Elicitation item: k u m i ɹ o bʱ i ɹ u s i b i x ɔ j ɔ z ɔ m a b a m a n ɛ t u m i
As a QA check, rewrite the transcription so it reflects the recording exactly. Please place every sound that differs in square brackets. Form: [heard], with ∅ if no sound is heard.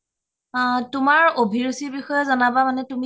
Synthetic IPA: [t] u m [a] ɹ o bʱ i ɹ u s i b i x ɔ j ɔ z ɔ [n] a b a m a n ɛ t u m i